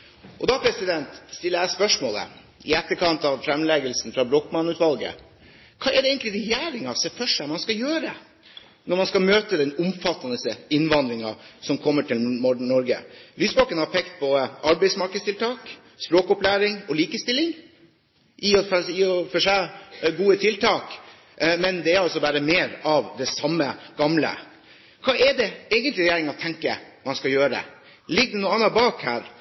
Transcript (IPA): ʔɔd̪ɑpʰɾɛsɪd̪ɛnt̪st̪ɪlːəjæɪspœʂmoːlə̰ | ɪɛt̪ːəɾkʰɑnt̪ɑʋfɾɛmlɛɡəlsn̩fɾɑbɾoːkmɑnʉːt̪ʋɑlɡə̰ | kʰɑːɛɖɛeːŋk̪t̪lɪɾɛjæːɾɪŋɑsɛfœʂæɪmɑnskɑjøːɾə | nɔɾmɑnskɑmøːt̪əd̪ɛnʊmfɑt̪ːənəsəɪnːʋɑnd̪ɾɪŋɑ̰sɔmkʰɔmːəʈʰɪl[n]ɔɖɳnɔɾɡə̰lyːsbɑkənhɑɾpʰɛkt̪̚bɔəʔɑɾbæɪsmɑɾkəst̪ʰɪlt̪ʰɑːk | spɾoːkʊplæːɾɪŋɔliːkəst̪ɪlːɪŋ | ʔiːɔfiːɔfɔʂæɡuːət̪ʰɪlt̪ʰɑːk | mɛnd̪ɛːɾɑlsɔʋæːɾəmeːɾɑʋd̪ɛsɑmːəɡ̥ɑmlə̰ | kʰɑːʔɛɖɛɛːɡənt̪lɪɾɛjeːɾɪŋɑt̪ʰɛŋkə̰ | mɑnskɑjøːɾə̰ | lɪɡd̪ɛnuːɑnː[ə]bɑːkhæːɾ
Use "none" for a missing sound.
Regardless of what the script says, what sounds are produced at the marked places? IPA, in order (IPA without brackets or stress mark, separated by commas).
m, ɑ